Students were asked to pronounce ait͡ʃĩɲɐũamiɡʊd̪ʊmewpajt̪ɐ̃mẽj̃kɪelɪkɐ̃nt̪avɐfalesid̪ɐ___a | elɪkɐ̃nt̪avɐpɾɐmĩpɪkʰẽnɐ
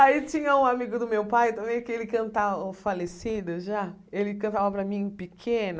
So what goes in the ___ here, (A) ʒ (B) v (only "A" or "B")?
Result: A